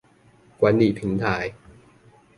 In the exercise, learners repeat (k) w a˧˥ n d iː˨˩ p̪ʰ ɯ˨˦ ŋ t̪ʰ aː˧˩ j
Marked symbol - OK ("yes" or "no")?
yes